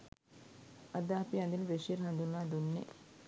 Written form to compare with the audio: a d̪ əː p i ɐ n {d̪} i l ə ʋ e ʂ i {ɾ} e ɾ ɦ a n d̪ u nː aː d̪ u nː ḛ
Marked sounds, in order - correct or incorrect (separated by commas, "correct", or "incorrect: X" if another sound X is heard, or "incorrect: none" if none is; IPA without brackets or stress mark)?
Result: correct, incorrect: none